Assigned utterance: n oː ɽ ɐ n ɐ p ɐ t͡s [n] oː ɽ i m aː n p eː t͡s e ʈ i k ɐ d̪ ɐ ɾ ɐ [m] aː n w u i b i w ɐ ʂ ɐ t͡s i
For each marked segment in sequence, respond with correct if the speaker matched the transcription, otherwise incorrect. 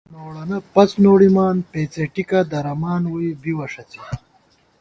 correct, correct

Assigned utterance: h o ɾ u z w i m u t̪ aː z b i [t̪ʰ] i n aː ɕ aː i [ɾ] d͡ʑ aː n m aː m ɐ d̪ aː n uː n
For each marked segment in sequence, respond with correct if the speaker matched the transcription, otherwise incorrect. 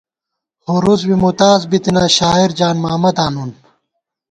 incorrect: t̪, correct

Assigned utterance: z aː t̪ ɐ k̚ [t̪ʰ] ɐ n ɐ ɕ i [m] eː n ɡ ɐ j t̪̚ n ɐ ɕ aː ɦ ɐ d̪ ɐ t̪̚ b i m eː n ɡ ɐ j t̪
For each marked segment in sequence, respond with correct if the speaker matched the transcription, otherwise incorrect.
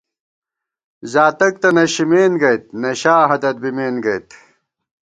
incorrect: t̪, correct

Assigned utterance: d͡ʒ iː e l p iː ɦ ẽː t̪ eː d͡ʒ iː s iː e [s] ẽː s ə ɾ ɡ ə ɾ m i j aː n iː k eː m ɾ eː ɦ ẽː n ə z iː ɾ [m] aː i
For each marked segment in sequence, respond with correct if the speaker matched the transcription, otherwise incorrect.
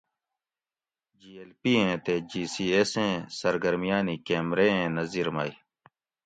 correct, correct

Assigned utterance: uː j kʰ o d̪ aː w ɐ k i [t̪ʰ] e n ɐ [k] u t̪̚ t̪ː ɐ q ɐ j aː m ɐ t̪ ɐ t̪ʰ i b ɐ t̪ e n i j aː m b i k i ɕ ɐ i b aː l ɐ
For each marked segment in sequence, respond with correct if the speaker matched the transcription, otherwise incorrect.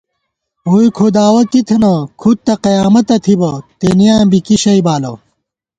correct, incorrect: kʰ

